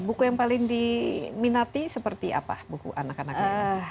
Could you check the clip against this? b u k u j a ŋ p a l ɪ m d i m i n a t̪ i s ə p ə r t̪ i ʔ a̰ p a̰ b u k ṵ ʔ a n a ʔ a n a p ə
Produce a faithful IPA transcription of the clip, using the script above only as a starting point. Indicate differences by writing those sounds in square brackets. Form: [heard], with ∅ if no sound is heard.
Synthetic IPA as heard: b u k u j a ŋ p a l ɪ [ŋ] d i m i n a t̪ i s ə p ə r t̪ i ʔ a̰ p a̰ b u k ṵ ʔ a n a [k] a n a [k] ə